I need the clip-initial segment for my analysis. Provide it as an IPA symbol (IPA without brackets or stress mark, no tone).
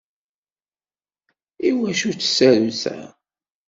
i